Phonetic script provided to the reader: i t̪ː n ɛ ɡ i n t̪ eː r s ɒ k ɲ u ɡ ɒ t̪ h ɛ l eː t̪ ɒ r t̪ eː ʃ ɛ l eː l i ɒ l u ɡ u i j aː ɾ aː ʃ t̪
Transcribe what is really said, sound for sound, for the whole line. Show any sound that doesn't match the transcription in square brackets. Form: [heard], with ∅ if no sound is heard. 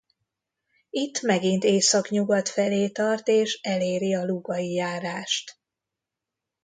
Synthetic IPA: i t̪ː [m] ɛ ɡ i n t̪ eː [∅] s ɒ k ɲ u ɡ ɒ t̪ [f] ɛ l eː t̪ ɒ r t̪ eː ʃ ɛ l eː [ɾ] i ɒ l u ɡ [ɒ] i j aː ɾ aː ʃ t̪